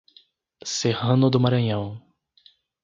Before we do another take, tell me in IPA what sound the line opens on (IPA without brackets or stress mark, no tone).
s